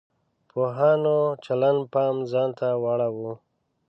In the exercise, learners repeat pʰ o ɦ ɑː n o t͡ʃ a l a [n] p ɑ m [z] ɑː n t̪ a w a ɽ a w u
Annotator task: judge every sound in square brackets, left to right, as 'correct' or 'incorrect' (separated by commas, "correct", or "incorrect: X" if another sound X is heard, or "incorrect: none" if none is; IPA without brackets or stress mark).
correct, correct